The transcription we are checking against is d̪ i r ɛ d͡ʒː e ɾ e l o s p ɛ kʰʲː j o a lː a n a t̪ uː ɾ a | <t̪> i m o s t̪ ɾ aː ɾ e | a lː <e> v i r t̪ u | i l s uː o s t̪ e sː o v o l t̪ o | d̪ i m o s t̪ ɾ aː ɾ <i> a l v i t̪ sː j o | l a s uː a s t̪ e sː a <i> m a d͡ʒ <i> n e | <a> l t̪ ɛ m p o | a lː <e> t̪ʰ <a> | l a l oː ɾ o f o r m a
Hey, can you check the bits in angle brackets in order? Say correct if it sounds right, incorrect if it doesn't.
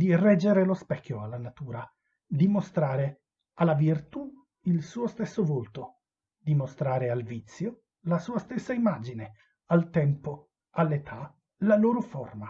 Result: incorrect: d̪, incorrect: a, incorrect: e, correct, correct, correct, correct, correct

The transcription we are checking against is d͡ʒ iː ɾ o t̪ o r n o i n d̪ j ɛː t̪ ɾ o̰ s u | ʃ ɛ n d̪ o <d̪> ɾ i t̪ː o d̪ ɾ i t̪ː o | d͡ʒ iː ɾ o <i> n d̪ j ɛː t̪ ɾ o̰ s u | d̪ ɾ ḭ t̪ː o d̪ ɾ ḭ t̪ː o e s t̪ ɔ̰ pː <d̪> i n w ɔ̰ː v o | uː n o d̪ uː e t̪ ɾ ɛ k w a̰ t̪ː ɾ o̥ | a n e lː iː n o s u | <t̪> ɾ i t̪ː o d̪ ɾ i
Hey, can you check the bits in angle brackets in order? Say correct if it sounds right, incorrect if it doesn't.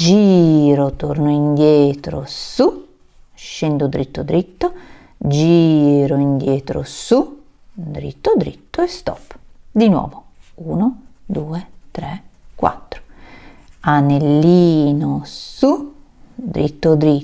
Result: correct, correct, correct, incorrect: d̪

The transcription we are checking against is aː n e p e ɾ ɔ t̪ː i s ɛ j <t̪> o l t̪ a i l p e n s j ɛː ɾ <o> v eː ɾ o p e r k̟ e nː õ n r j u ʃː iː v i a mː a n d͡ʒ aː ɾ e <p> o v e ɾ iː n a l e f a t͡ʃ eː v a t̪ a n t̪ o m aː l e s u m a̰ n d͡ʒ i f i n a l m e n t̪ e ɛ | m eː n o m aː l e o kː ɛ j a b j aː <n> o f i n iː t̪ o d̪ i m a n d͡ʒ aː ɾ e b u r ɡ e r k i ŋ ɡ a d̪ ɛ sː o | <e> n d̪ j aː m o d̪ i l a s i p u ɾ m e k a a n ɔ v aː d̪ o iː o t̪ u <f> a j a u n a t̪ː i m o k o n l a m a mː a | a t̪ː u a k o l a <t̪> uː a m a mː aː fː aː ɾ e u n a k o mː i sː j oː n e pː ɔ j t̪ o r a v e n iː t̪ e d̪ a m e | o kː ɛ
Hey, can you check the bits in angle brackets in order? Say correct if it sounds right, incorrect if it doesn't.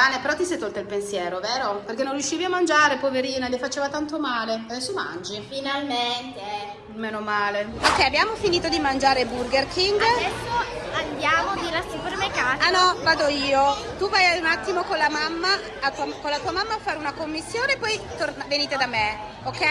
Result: correct, correct, correct, incorrect: m, incorrect: a, incorrect: v, correct

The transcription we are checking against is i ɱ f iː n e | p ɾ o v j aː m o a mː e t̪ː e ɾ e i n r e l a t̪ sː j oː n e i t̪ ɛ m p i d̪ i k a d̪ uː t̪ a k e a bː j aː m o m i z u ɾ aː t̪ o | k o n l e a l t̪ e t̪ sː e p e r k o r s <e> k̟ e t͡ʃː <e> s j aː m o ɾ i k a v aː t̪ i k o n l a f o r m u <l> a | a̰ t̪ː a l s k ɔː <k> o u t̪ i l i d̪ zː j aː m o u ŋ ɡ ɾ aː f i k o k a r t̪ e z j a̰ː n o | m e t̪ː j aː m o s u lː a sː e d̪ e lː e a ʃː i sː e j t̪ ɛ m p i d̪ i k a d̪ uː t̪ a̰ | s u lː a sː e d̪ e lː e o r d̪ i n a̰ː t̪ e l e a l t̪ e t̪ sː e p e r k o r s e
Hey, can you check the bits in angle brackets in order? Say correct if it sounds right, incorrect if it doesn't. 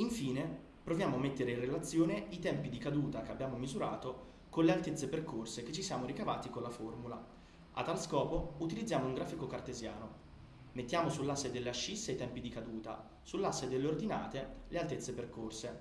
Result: correct, incorrect: i, correct, incorrect: p

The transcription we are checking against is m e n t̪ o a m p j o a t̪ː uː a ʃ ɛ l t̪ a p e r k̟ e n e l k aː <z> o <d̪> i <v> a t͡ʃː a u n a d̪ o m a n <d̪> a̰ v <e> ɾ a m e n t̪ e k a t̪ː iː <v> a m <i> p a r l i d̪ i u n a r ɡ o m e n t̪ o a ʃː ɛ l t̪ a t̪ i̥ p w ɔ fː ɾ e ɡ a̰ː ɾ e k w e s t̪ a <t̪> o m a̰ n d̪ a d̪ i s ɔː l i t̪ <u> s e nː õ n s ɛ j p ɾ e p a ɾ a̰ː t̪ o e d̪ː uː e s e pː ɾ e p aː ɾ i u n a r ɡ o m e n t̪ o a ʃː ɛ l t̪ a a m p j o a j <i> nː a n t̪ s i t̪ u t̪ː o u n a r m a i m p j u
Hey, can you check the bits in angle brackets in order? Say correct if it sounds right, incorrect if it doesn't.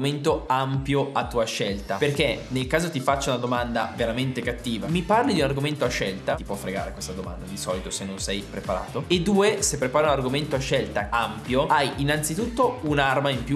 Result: correct, incorrect: t̪, incorrect: f, correct, correct, correct, correct, incorrect: d̪, incorrect: o, correct

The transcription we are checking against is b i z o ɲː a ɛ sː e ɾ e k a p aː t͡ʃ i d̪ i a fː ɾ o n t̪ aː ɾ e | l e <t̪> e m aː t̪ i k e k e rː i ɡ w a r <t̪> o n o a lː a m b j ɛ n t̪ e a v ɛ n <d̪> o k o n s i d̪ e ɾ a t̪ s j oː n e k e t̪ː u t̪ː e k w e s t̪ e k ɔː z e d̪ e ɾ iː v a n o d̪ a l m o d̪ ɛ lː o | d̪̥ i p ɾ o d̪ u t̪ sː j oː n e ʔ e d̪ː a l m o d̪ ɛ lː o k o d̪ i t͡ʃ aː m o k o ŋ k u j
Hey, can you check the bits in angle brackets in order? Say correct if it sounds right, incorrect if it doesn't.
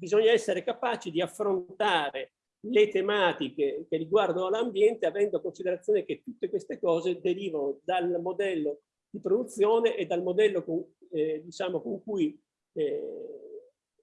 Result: correct, incorrect: d̪, correct

